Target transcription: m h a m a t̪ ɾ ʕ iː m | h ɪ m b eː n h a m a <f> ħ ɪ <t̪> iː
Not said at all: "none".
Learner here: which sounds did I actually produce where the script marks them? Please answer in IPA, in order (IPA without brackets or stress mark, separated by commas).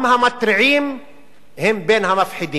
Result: f, d̪